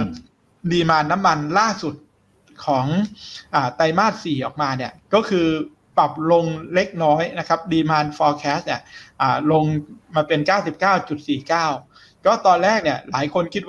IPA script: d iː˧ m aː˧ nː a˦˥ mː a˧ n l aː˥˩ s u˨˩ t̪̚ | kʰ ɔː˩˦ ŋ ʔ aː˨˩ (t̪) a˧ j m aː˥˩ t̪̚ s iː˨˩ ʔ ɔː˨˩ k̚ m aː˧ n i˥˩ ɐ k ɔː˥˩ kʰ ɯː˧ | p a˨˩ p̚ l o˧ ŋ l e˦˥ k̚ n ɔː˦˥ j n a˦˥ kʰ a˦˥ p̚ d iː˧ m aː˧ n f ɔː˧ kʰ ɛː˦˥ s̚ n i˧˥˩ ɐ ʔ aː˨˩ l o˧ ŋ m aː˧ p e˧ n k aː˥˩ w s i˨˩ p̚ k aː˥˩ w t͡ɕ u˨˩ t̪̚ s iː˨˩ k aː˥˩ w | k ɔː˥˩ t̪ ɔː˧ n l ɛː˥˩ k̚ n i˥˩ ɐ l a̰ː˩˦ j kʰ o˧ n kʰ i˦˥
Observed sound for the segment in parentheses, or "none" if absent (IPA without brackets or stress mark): t̪